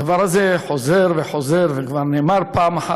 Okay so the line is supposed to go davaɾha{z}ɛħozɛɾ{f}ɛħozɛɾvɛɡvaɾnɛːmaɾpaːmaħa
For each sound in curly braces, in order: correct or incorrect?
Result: correct, incorrect: v

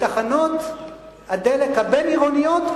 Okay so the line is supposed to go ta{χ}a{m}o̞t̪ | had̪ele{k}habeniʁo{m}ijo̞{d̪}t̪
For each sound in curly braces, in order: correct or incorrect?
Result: correct, incorrect: n, correct, incorrect: n, incorrect: none

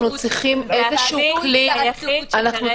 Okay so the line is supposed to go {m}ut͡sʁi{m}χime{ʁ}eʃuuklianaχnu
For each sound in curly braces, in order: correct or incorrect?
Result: incorrect: n, incorrect: none, incorrect: z

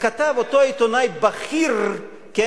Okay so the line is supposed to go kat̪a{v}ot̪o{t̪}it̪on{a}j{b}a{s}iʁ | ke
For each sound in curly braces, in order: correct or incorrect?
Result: correct, incorrect: none, correct, correct, incorrect: χ

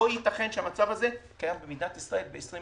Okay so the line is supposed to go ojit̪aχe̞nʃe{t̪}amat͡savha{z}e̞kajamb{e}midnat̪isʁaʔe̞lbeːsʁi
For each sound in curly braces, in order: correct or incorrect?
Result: incorrect: none, correct, correct

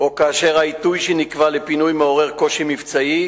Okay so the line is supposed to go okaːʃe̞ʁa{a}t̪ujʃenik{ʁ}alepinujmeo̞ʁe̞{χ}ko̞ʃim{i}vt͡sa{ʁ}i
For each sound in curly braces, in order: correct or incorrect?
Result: incorrect: i, incorrect: v, incorrect: ʁ, correct, incorrect: none

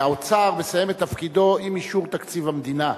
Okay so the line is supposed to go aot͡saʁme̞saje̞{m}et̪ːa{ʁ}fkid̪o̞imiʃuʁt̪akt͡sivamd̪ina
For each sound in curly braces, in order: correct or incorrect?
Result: correct, incorrect: none

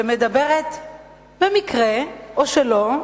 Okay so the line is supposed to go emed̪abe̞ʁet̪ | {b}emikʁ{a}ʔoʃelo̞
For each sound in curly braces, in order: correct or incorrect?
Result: correct, incorrect: e

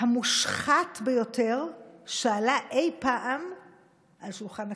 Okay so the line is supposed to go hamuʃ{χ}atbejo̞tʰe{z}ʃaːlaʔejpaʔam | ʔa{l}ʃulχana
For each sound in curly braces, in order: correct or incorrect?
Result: correct, incorrect: ʁ, correct

